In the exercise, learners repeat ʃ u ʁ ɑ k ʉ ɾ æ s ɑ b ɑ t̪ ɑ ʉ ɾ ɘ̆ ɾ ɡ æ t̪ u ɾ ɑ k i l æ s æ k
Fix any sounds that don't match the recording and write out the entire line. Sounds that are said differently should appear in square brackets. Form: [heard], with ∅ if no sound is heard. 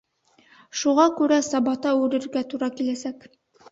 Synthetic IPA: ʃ u ʁ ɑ k ʉ ɾ æ s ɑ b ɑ t̪ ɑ ʉ ɾ ɘ̆ ɾ ɡ æ t̪ u ɾ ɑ k i l æ s æ k